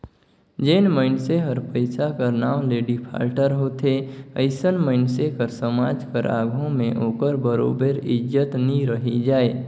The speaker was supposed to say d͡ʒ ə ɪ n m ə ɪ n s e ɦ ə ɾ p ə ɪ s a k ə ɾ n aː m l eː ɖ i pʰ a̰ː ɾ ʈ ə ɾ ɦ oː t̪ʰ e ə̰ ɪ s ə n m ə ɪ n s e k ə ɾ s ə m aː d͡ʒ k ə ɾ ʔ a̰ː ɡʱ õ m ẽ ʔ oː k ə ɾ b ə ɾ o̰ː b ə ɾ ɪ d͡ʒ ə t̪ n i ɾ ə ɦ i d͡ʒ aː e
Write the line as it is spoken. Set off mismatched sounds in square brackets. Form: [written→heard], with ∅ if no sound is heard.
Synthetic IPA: d͡ʒ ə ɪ n m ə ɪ n s e ɦ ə ɾ p ə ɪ s a k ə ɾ n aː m l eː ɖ i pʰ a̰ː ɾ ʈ ə ɾ ɦ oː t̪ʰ e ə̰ ɪ s ə n m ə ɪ n s e k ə ɾ s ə m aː d͡ʒ k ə ɾ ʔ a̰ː ɡʱ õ m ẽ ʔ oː k ə ɾ b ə ɾ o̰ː b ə ɾ ɪ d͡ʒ ə t̪ n i ɾ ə ɦ i d͡ʒ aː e